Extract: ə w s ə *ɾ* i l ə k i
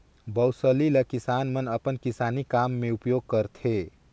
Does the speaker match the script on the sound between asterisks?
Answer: no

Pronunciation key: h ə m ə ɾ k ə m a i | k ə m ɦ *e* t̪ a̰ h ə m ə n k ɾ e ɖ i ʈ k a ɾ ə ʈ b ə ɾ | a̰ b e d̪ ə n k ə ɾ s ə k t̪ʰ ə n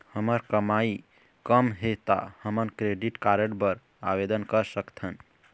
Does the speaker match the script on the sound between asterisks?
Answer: yes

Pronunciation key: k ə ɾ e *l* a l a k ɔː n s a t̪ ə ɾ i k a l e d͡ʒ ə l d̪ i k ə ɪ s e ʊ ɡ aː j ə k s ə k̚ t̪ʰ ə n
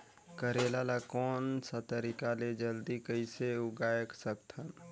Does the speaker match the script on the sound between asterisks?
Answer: yes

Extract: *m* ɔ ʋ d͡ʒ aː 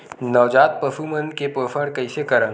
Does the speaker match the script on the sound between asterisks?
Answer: no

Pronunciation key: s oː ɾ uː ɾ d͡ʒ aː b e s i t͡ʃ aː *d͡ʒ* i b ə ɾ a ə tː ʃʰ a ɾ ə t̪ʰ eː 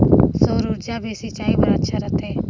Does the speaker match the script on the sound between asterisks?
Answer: no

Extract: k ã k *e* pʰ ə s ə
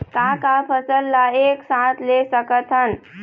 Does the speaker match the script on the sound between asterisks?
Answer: no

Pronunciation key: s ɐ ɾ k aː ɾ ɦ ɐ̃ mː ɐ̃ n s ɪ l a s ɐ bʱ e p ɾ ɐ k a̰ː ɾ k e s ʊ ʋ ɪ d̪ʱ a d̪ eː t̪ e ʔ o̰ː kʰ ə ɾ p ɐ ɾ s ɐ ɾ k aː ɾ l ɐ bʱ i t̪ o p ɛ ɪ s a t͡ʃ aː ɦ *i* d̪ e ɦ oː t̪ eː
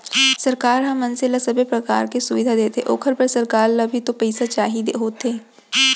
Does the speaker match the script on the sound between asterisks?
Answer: yes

